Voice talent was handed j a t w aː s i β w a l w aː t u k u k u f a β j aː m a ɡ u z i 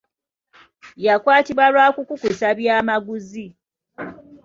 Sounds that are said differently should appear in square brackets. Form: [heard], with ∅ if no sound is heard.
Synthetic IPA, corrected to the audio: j a [k] w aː [t] i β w a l w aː [k] u k u k u [s] a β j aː m a ɡ u z i